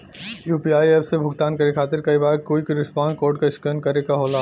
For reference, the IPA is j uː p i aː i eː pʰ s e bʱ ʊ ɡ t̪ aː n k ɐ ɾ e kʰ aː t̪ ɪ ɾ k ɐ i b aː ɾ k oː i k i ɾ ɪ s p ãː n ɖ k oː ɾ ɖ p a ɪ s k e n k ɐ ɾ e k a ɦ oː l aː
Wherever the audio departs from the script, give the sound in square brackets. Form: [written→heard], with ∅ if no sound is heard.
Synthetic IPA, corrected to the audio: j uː p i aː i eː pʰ s e bʱ ʊ ɡ t̪ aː n k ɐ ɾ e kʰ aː t̪ ɪ ɾ k ɐ i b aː ɾ k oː i k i ɾ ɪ s p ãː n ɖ k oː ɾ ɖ [p→k] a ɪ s k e n k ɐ ɾ e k a ɦ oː l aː